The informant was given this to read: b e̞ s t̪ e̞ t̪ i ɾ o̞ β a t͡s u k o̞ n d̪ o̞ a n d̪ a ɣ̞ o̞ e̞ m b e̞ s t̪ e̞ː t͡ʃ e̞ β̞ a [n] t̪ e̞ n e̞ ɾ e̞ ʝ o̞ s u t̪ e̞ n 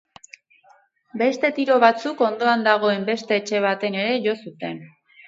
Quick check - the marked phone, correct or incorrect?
incorrect: none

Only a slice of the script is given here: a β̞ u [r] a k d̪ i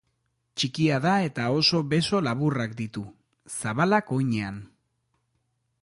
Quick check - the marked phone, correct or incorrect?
correct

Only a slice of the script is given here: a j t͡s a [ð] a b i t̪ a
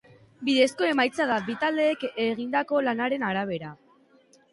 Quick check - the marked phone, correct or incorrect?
correct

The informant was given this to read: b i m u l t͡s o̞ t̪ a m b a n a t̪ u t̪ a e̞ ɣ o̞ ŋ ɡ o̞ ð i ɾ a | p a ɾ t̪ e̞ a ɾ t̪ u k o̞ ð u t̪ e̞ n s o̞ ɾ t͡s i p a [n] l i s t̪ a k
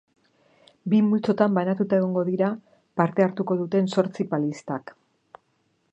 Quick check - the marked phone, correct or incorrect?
incorrect: none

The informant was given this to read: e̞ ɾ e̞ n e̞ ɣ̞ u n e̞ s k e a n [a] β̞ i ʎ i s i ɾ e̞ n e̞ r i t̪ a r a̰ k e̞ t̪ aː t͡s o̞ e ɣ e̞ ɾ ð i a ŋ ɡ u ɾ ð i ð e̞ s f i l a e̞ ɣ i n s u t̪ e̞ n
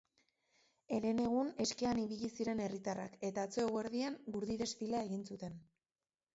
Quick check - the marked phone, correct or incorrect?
incorrect: i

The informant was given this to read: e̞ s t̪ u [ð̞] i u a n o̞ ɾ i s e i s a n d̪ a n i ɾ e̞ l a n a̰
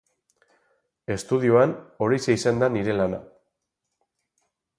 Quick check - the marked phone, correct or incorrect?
correct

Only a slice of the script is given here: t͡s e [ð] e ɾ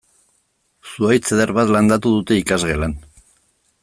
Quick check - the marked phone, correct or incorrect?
correct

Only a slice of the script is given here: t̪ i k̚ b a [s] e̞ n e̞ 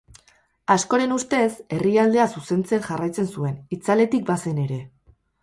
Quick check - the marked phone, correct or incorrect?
correct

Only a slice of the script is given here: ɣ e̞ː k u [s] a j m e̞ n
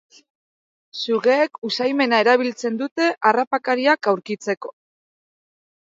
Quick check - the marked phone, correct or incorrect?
correct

